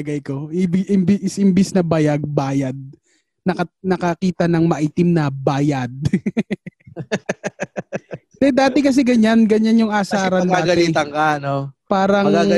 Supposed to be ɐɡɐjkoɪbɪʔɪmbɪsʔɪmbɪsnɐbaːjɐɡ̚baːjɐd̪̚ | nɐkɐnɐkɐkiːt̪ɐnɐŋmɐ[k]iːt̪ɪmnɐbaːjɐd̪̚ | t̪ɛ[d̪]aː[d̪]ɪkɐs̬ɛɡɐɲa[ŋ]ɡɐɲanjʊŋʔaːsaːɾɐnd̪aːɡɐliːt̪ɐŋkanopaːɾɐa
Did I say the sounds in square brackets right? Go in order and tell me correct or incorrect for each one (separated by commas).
incorrect, correct, incorrect, incorrect